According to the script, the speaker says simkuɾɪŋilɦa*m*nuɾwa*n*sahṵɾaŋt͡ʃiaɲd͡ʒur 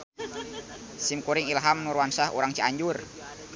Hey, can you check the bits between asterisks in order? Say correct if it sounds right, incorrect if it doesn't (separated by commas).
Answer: correct, correct